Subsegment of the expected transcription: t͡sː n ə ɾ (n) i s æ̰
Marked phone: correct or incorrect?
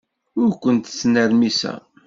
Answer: incorrect